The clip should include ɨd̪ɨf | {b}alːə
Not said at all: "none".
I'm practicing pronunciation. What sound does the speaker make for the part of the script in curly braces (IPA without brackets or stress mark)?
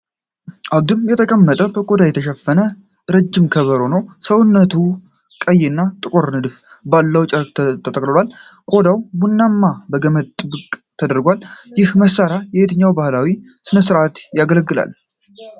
b